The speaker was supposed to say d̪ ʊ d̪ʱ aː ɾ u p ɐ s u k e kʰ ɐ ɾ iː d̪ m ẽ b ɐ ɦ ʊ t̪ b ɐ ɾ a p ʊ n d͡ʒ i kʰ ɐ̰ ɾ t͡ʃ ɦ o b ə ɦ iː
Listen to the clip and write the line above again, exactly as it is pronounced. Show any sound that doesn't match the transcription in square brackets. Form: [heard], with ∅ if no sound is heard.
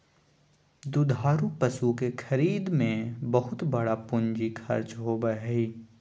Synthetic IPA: d̪ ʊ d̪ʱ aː ɾ u p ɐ s u k e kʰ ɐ ɾ iː d̪ m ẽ b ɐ ɦ ʊ t̪ b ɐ [ɽ] a p ʊ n d͡ʒ i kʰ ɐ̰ ɾ t͡ʃ ɦ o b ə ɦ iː